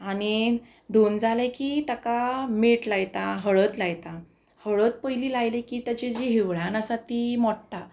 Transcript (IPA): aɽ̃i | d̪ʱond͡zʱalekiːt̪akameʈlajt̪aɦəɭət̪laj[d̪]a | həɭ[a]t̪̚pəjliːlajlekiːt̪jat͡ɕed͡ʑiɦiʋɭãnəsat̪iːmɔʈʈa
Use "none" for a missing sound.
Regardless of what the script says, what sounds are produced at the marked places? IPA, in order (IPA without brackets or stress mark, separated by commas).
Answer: t̪, ə